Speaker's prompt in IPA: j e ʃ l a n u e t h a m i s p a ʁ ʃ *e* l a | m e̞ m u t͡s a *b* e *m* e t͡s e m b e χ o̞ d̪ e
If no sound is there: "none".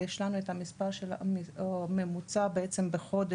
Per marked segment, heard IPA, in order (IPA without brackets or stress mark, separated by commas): e, b, none